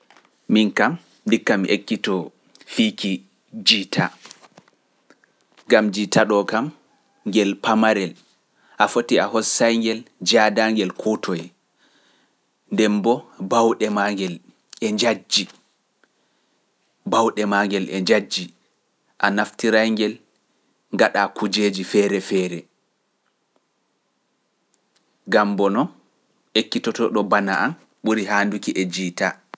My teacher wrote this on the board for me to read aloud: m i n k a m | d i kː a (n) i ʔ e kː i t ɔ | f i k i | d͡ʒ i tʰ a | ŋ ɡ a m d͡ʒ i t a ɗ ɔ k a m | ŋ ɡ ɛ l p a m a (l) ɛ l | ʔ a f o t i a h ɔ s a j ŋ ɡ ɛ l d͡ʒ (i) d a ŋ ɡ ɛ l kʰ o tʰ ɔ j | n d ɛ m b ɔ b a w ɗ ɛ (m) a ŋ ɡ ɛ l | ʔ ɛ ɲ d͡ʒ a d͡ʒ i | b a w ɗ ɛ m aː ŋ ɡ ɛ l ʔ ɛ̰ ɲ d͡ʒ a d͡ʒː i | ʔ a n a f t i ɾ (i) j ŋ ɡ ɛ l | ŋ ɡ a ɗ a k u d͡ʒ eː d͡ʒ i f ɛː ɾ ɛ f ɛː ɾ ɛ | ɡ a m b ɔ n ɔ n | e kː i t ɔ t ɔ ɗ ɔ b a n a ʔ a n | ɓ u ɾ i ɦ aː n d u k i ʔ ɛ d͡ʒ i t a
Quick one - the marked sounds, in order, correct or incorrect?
incorrect, incorrect, incorrect, correct, incorrect

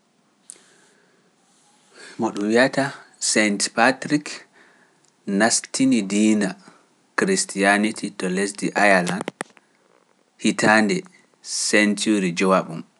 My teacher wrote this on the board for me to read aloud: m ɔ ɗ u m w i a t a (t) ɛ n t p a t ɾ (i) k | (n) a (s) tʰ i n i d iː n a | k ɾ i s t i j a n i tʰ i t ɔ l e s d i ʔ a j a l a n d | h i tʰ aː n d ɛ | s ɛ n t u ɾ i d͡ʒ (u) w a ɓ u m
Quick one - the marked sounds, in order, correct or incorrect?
incorrect, correct, correct, correct, incorrect

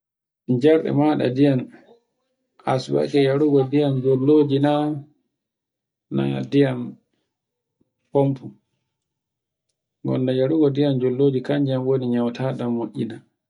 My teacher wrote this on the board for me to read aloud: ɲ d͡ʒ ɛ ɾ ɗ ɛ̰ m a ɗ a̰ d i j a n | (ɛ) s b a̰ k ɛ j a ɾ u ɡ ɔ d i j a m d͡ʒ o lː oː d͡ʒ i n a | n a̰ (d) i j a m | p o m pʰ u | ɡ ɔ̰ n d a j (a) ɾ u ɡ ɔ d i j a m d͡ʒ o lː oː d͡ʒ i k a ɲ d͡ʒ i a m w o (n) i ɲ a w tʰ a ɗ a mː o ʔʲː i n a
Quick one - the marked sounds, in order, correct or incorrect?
incorrect, correct, correct, correct

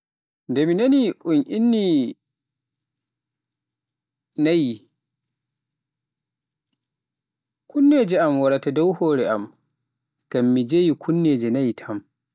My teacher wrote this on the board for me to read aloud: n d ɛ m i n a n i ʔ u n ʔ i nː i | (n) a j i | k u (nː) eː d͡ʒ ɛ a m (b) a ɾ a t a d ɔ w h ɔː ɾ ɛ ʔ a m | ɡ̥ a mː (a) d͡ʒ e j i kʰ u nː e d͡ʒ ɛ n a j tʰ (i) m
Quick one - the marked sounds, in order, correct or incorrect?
correct, correct, incorrect, incorrect, incorrect

